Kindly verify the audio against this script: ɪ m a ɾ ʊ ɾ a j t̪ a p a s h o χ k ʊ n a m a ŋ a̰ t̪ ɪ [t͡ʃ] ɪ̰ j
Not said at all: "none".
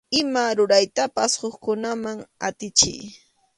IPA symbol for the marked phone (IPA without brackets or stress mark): t͡ʃ